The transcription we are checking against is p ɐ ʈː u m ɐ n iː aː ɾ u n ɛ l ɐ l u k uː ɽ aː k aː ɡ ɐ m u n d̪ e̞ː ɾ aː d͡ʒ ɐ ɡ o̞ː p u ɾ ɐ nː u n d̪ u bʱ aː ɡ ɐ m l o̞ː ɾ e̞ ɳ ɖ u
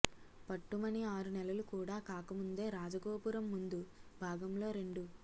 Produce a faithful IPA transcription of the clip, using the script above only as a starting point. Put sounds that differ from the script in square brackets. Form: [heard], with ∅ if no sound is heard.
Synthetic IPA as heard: p ɐ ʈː u m ɐ n [i] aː ɾ u n ɛ l ɐ l u k uː ɽ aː k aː [k] ɐ m u n d̪ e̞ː ɾ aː d͡ʒ ɐ ɡ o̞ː p u ɾ ɐ [mː] u n d̪ u bʱ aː ɡ ɐ m l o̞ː ɾ e̞ ɳ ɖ u